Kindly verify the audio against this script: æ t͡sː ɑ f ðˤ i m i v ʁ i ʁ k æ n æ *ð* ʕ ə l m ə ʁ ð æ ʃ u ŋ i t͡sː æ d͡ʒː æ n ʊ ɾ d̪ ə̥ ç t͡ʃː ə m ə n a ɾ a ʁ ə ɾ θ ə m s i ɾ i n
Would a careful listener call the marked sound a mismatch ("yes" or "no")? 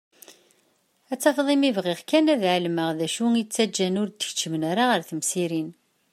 no